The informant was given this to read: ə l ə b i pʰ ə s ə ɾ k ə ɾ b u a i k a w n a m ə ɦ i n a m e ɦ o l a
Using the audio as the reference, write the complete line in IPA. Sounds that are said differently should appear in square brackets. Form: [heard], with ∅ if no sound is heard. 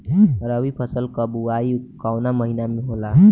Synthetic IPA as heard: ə [ɾ] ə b i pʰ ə s ə [l] k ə [∅] b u a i k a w n a m ə ɦ i n a m e ɦ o l a